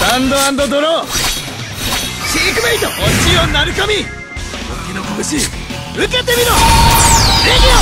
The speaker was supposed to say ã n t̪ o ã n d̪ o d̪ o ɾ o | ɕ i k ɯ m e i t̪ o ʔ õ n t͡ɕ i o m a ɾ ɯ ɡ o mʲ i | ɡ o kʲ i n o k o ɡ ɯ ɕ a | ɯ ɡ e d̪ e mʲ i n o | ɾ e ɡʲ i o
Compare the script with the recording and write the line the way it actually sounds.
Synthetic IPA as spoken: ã n d̪ o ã n d̪ o d̪ o ɾ o | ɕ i k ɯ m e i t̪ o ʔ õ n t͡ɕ i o n a ɾ ɯ k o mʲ i | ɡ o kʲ i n o k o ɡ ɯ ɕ i | ɯ k e t̪ e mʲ i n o | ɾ e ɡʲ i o